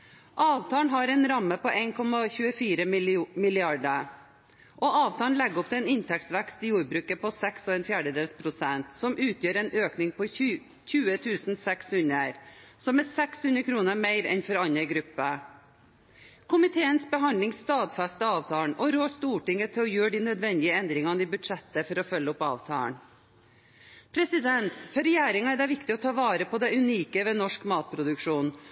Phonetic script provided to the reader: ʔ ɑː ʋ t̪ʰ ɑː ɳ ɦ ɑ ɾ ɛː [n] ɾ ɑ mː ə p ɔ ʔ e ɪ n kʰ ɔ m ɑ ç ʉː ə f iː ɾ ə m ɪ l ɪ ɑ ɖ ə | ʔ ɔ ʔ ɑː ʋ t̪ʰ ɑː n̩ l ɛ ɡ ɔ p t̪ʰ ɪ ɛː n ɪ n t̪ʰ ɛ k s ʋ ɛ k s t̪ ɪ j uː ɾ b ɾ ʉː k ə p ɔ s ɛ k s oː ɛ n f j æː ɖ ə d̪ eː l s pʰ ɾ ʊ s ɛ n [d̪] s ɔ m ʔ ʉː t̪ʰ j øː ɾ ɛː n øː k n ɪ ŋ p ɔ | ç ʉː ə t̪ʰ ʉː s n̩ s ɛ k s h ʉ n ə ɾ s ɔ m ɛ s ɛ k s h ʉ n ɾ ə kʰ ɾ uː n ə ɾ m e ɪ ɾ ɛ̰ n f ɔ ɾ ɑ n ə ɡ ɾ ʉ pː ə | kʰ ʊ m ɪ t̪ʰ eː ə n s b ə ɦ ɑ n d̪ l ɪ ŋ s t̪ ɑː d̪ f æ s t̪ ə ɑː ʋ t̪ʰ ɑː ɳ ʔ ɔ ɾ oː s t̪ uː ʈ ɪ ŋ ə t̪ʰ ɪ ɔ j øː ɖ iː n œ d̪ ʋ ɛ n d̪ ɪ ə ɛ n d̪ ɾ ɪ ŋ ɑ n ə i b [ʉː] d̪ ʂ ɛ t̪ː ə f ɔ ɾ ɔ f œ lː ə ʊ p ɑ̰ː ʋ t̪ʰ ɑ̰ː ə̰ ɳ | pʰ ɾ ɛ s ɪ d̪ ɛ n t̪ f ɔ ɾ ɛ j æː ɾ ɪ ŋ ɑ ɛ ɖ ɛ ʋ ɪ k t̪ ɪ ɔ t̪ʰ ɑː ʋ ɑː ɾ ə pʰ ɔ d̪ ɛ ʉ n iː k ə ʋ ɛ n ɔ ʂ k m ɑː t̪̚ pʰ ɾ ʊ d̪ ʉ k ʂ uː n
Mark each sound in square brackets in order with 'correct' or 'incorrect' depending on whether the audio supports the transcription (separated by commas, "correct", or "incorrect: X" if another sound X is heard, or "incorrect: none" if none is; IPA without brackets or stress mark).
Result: correct, incorrect: t̪, incorrect: ʉ